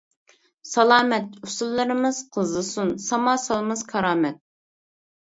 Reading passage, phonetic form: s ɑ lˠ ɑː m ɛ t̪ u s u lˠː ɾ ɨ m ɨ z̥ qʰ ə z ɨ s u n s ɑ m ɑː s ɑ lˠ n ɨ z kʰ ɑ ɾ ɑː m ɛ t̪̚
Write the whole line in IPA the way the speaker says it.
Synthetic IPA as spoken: s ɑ lˠ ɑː m ɛ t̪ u s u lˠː ɾ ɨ m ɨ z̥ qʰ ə z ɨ s u n s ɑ m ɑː s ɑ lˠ m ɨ z kʰ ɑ ɾ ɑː m ɛ t̪̚